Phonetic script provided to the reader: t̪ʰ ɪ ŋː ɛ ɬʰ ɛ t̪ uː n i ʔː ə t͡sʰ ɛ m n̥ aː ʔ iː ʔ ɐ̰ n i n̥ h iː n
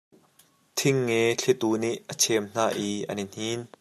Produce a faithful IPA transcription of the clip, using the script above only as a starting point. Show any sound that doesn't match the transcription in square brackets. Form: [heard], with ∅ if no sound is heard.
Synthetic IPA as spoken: t̪ʰ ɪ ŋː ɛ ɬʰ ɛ t̪ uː n i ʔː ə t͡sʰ ɛ m n̥ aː ʔ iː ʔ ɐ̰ n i n̥ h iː n